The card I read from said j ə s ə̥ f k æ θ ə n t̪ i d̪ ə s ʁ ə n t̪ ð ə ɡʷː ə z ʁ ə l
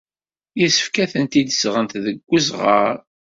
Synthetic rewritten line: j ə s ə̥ f k æ θ ə n t̪ i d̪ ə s ʁ ə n t̪ ð ə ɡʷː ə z ʁ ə ɾ